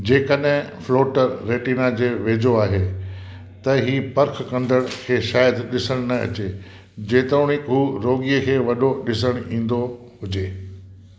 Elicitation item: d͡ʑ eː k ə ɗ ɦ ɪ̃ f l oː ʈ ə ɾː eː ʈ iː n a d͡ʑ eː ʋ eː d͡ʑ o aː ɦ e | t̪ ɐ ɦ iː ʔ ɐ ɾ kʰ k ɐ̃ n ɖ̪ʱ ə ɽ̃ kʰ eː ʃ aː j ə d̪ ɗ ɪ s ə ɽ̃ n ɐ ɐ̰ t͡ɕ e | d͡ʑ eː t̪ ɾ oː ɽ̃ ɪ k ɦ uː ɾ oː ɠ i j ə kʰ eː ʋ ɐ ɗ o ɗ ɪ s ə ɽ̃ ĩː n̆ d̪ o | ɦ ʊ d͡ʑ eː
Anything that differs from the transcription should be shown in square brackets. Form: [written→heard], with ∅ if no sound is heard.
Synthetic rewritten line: d͡ʑ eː k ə ɗ ɦ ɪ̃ f l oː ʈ ə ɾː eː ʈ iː n a d͡ʑ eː ʋ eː d͡ʑ o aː ɦ e | t̪ ɐ ɦ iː [ʔ→p] ɐ ɾ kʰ k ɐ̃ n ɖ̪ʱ ə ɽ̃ kʰ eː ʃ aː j ə d̪ ɗ ɪ s ə ɽ̃ n ɐ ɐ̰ t͡ɕ e | d͡ʑ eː t̪ ɾ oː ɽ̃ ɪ k ɦ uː ɾ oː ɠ i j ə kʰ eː ʋ ɐ ɗ o ɗ ɪ s ə ɽ̃ ĩː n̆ d̪ o | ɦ ʊ d͡ʑ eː